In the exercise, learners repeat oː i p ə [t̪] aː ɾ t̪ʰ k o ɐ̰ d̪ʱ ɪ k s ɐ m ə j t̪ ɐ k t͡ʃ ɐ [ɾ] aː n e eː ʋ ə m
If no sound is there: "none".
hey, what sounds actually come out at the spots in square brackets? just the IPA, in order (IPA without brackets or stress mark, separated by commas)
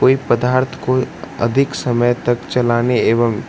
d̪, l